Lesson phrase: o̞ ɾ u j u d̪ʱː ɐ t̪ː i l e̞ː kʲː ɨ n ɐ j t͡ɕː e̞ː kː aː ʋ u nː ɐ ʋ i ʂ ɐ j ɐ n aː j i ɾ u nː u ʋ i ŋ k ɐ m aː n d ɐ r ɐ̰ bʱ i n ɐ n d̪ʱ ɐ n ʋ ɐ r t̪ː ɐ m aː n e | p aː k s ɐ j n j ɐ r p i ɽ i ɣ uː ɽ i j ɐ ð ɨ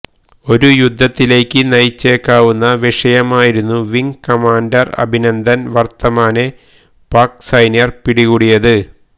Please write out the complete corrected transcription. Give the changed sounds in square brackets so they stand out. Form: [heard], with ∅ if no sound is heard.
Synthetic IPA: o̞ ɾ u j u d̪ʱː ɐ t̪ː i l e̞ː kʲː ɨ n ɐ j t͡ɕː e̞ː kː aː ʋ u nː ɐ ʋ i ʂ ɐ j ɐ [m] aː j i ɾ u nː u ʋ i ŋ k ɐ m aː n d ɐ r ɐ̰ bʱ i n ɐ n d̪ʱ ɐ n ʋ ɐ r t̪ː ɐ m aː n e | p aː k s ɐ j n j ɐ r p i ɽ i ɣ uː ɽ i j ɐ ð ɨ